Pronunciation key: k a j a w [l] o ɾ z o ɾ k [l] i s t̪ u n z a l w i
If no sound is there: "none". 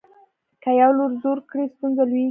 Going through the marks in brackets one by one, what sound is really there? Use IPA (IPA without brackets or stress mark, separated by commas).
l, ɽ